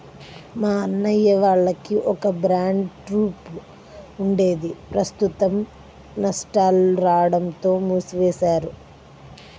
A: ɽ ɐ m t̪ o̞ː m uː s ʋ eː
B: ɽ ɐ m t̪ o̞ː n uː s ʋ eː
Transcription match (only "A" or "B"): A